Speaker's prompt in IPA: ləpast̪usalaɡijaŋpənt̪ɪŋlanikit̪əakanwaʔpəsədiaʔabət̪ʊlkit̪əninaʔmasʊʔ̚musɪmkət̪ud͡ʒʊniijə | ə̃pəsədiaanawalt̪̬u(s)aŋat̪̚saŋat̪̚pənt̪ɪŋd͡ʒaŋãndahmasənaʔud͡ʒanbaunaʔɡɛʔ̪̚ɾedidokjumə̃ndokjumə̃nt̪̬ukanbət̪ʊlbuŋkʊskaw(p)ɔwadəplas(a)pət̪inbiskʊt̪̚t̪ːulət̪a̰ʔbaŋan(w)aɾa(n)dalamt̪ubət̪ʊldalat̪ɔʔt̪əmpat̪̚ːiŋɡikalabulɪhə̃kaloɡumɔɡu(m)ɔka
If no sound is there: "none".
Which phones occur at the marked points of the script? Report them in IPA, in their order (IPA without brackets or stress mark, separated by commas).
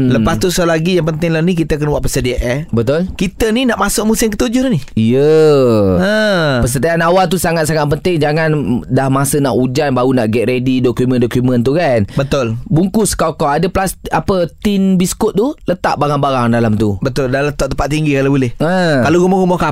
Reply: s, k, a, b, ŋ, m